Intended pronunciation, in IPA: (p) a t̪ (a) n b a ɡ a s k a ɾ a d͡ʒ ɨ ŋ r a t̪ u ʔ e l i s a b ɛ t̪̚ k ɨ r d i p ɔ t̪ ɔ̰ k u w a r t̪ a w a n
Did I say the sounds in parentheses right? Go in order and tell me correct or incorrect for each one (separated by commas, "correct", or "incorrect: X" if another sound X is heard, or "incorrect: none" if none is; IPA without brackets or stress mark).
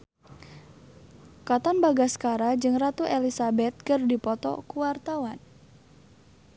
incorrect: k, correct